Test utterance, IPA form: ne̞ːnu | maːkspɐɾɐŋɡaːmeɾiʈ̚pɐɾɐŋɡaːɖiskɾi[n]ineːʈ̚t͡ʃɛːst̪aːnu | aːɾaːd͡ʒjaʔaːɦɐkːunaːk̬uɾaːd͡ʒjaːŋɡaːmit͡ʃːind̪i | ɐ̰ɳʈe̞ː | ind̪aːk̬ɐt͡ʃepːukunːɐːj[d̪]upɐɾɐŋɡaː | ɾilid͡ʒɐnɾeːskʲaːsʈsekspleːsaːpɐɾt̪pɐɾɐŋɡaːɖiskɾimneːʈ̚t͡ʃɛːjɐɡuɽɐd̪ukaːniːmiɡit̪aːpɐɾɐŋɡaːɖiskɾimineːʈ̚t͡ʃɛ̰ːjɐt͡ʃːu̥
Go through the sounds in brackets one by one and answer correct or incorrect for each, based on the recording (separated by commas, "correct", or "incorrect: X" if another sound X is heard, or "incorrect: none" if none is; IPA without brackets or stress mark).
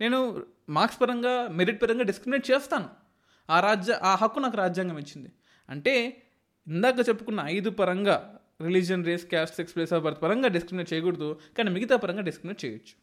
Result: incorrect: m, correct